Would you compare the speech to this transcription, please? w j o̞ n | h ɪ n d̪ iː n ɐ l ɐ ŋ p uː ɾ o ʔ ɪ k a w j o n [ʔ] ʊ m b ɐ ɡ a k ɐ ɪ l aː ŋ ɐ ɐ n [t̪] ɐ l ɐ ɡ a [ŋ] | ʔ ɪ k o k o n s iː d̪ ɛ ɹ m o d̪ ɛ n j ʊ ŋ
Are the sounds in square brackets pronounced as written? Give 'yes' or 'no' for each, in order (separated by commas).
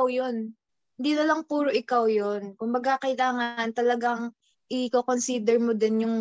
no, yes, yes